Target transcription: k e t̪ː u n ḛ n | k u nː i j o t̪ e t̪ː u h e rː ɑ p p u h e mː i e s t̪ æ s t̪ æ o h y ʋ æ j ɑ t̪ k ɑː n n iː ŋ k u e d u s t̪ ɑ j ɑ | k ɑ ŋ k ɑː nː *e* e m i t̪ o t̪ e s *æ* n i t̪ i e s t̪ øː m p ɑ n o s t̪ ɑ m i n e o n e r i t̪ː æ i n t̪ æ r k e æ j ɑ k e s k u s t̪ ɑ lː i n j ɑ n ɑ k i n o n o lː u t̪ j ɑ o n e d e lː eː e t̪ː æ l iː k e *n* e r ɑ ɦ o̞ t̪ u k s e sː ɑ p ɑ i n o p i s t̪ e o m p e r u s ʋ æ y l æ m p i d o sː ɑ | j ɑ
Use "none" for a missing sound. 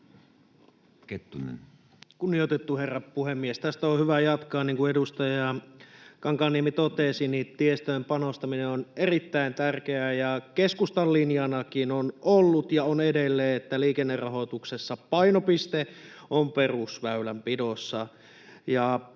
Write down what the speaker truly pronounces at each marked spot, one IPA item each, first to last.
i, i, nː

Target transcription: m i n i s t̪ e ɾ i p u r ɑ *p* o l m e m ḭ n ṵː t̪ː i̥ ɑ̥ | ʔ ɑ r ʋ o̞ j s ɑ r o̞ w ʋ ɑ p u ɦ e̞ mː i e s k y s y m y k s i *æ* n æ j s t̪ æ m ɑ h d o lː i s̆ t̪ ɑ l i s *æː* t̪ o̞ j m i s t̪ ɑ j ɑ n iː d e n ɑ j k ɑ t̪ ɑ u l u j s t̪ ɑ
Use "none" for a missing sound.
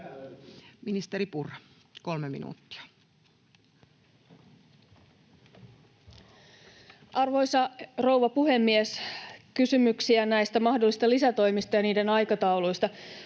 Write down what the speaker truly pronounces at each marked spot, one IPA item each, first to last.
k, æ, æ

